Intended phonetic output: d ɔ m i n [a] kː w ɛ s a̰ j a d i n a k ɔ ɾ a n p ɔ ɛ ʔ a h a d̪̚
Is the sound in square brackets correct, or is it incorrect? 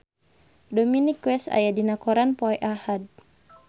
incorrect